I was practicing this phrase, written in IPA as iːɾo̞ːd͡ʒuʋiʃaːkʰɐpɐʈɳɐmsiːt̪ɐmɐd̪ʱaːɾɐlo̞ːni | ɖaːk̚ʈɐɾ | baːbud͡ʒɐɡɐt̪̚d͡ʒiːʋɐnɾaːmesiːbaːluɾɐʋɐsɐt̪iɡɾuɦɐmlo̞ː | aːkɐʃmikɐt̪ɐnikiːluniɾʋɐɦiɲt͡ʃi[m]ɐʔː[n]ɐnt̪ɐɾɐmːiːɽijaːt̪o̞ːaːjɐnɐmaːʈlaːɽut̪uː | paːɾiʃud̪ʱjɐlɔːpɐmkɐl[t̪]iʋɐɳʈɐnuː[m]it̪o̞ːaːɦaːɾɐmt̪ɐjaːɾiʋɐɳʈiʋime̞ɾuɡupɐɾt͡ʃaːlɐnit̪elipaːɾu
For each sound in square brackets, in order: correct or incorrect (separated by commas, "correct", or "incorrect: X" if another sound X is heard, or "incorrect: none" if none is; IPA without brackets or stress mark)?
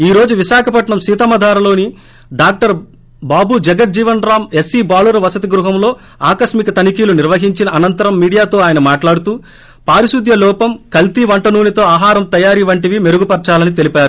incorrect: n, correct, correct, incorrect: n